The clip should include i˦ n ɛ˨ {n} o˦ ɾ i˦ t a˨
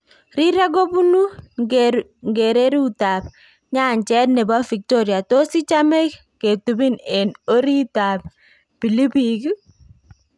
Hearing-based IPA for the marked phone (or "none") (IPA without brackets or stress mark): n